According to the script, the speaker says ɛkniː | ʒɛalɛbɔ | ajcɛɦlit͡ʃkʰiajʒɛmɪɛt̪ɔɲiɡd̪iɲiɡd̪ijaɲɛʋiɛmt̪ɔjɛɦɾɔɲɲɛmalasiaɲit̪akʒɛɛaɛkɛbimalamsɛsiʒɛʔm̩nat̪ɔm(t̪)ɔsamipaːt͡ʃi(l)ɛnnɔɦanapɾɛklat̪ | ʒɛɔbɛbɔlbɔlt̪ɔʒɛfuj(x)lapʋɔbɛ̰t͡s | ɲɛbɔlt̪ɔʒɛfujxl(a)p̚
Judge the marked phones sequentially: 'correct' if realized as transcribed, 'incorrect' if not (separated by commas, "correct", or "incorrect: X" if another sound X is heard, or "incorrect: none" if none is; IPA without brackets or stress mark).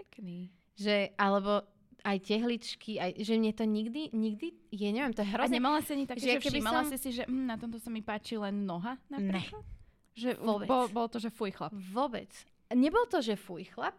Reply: correct, correct, correct, correct